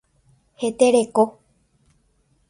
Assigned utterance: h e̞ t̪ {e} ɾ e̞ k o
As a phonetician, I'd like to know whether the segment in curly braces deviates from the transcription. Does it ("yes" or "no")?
no